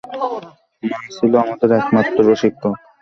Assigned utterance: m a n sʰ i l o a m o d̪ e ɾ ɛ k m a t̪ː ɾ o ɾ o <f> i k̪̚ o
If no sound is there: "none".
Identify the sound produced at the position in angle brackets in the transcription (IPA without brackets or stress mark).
ʃ